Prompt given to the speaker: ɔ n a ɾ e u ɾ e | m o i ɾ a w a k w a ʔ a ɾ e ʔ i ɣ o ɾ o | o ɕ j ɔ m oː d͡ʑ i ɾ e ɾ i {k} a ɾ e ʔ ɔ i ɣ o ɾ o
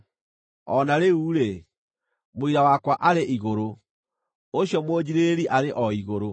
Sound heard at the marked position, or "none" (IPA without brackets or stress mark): ʔ